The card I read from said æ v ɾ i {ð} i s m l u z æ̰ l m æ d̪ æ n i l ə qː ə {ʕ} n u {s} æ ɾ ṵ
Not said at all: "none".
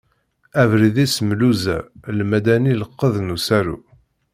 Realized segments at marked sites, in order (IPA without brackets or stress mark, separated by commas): ð, ð, s